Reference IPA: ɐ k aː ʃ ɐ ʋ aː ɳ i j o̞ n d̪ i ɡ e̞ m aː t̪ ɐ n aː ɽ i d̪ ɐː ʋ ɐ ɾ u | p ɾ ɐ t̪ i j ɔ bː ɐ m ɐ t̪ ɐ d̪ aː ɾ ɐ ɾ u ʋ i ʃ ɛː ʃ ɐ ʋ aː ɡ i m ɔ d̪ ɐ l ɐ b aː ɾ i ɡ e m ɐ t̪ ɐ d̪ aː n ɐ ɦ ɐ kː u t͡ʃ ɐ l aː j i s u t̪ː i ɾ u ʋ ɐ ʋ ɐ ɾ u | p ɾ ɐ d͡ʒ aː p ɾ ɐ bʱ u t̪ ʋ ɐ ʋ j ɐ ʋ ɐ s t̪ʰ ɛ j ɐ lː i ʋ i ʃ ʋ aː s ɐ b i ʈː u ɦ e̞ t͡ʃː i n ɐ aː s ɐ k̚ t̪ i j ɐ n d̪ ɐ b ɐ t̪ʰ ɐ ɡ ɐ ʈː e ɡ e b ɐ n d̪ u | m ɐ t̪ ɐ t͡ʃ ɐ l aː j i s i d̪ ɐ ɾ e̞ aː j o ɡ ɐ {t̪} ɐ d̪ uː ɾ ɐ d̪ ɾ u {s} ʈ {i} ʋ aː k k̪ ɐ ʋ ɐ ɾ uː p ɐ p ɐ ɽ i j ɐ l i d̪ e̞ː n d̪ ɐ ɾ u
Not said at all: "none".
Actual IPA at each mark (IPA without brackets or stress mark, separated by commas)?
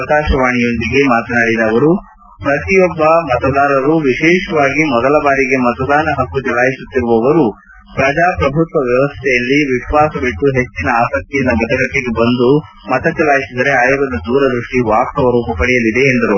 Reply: d̪, ʂ, i